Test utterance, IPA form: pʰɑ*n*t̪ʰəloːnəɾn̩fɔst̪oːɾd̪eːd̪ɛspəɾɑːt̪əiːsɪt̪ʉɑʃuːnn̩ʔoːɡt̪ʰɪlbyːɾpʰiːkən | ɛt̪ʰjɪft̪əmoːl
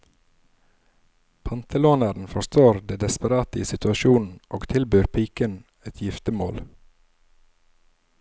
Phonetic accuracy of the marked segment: correct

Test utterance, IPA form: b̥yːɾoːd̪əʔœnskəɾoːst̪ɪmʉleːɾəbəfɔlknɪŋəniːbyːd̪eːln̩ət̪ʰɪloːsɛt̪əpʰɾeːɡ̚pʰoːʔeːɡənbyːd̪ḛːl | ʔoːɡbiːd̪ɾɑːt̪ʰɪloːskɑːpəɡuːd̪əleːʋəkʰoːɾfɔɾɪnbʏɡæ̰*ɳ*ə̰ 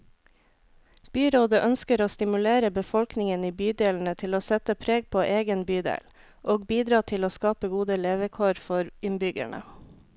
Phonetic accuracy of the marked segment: correct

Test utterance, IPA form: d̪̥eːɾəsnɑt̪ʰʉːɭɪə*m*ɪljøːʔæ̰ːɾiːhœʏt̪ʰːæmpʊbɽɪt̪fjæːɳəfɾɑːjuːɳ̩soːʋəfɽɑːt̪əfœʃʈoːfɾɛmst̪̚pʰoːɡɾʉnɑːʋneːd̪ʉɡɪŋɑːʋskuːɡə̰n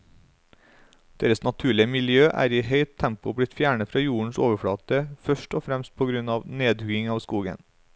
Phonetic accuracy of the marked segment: correct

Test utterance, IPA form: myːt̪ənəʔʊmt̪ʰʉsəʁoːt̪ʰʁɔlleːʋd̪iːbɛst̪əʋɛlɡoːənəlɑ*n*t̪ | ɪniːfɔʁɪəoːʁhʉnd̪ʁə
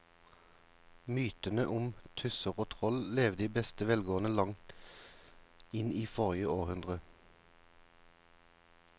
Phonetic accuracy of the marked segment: incorrect: ŋ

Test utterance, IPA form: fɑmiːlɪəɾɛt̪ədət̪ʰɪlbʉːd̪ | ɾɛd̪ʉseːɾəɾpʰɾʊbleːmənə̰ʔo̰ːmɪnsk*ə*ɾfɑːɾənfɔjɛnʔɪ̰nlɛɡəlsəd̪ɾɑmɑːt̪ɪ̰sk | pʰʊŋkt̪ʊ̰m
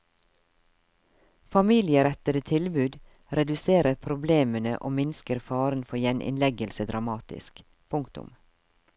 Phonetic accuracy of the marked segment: correct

